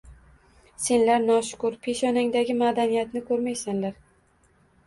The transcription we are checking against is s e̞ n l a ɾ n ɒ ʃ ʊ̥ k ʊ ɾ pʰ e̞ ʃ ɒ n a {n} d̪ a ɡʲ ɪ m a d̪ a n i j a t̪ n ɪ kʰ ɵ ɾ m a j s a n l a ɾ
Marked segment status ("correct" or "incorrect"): incorrect